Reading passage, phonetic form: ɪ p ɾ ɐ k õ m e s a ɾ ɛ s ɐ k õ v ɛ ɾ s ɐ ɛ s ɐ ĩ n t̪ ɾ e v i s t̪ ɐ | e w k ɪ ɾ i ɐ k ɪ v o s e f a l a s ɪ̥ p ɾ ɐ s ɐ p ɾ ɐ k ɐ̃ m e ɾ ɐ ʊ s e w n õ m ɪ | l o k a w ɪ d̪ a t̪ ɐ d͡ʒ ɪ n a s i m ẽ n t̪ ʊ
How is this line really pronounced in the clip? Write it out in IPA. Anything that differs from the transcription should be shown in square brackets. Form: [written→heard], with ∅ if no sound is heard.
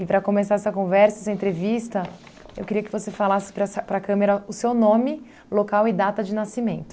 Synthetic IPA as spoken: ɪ p ɾ ɐ k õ m e s a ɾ ɛ s ɐ k õ v ɛ ɾ s ɐ ɛ s ɐ [ĩ→ẽ] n t̪ ɾ e v i s t̪ ɐ | e w k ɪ ɾ i ɐ k ɪ v o s e f a l a s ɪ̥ p ɾ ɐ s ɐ p ɾ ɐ k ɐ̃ m e ɾ ɐ ʊ s e w n õ m ɪ | l o k a w ɪ d̪ a t̪ ɐ d͡ʒ ɪ n a s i m ẽ n t̪ ʊ